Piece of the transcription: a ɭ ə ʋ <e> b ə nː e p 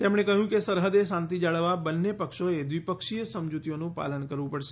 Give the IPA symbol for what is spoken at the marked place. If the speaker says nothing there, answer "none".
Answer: a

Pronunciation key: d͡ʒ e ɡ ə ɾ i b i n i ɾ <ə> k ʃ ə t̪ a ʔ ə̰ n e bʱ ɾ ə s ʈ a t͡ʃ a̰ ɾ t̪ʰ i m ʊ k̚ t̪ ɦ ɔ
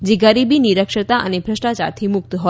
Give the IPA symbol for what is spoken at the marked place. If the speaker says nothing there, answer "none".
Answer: ə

